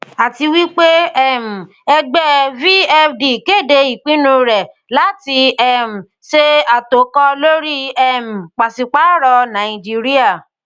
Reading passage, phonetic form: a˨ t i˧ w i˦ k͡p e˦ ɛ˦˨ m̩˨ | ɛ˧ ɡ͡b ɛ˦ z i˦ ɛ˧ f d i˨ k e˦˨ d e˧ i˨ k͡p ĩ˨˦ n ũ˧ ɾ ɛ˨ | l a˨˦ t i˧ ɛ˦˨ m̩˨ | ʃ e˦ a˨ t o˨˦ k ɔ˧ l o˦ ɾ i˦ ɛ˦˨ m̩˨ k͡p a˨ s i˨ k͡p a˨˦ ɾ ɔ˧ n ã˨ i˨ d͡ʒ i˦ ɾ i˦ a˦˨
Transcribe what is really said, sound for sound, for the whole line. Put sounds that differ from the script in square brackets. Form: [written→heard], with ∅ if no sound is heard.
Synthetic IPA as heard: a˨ t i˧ w i˦ k͡p e˦ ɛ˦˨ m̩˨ | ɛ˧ ɡ͡b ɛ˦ [z→v] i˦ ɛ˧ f d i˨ k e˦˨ d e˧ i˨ k͡p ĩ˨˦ n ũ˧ ɾ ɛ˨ | l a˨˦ t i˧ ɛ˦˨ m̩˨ | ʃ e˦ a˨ t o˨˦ k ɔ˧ l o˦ ɾ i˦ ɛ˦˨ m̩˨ k͡p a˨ s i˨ k͡p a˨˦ ɾ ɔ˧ n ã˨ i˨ d͡ʒ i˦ ɾ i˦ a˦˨